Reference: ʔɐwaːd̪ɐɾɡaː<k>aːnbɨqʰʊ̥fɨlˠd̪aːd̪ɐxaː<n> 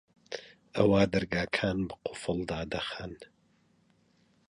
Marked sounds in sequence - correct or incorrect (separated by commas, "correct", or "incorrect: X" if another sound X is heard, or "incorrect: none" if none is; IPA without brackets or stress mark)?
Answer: incorrect: kʰ, correct